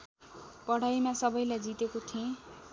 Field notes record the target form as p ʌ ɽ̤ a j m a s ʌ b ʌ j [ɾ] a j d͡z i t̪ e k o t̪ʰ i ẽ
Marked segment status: incorrect: l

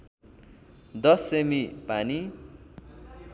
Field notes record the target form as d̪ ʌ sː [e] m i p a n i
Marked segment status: correct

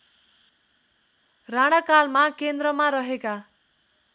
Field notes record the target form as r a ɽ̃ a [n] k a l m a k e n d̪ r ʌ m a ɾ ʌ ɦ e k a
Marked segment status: incorrect: none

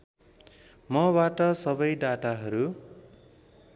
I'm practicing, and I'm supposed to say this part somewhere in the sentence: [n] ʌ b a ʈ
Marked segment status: incorrect: m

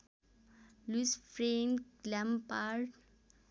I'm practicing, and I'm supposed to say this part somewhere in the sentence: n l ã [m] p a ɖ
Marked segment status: correct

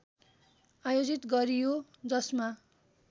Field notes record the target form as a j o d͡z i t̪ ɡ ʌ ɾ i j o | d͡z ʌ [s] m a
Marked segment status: correct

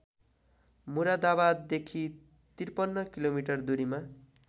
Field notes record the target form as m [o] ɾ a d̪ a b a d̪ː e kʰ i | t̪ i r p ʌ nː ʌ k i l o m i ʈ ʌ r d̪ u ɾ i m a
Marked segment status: incorrect: u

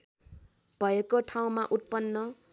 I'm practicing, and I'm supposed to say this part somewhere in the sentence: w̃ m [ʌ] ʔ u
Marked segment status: incorrect: a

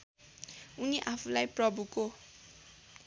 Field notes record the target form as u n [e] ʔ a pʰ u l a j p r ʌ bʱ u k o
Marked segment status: incorrect: i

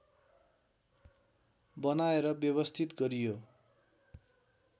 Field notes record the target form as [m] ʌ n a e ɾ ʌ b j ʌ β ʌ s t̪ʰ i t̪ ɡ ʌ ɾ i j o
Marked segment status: incorrect: b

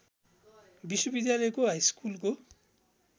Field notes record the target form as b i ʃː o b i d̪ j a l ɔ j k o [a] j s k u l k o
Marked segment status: correct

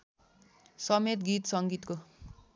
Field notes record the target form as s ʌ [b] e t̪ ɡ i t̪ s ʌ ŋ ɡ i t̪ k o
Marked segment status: incorrect: m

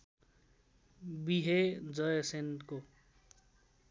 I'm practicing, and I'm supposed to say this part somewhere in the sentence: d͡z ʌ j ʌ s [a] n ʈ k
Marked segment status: incorrect: e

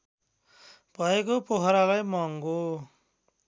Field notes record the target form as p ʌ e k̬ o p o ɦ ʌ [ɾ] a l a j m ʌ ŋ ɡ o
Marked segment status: correct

